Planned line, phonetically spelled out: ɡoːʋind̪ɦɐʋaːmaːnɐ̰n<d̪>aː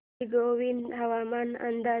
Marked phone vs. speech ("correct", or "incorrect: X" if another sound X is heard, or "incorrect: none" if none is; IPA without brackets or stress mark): correct